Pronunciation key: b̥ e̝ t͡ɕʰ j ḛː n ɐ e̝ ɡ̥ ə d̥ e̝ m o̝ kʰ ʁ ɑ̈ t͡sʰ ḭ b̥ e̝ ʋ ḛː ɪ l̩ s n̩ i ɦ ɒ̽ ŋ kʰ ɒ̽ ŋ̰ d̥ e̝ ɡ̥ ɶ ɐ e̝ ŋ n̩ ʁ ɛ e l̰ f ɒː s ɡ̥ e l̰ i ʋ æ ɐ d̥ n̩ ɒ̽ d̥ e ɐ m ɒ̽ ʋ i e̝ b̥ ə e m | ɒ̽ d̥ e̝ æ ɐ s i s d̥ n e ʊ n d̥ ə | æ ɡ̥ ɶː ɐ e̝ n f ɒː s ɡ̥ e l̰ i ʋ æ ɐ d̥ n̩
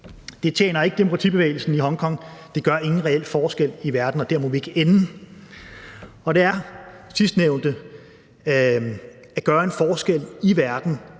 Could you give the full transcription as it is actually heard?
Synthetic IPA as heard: d̥ e̝ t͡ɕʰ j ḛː n ɐ e̝ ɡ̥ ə d̥ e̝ m o̝ kʰ ʁ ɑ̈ t͡sʰ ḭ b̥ e̝ ʋ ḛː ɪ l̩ s n̩ i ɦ ɒ̽ ŋ kʰ ɒ̽ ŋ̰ d̥ e̝ ɡ̥ ɶ ɐ e̝ ŋ n̩ ʁ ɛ e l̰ f ɒː s ɡ̥ e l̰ i ʋ æ ɐ d̥ n̩ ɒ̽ d̥ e ɐ m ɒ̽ ʋ i e̝ ɡ̥ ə e n | ɒ̽ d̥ e̝ æ ɐ s i s d̥ n e ʊ n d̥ ə | æ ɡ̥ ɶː ɐ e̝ n f ɒː s ɡ̥ e l̰ i ʋ æ ɐ d̥ n̩